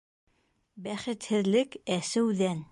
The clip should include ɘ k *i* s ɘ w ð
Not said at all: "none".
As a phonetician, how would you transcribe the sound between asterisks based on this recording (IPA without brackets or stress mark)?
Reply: æ